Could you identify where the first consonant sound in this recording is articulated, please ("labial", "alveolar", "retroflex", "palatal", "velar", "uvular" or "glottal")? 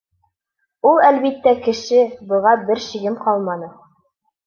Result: alveolar